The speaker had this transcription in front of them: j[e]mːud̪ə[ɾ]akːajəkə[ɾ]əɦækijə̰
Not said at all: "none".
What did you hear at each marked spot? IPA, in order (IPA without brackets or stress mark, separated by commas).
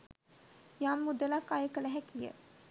a, l, l